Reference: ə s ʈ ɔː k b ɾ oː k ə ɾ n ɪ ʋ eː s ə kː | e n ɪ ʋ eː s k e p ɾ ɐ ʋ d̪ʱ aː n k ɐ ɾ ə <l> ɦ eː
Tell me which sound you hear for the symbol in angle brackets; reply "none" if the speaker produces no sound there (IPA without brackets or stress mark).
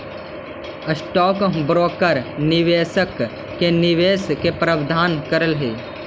l